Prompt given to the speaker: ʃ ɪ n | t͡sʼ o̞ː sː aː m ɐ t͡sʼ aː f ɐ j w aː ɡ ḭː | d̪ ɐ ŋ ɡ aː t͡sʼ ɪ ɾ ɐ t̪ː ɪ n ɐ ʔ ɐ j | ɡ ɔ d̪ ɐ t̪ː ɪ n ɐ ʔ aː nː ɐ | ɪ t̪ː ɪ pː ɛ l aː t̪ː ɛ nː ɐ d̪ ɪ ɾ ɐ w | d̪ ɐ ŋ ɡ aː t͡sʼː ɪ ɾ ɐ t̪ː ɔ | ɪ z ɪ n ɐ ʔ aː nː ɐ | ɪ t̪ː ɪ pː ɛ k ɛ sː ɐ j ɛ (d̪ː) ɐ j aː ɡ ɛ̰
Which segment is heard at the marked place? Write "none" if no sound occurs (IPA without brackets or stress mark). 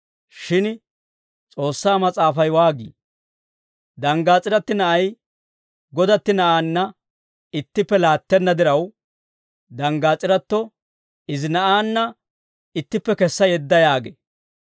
d̪ː